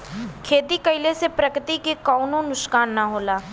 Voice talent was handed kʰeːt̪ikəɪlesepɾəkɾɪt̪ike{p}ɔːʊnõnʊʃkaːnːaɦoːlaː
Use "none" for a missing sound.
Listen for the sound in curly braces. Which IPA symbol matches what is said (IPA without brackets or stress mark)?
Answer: k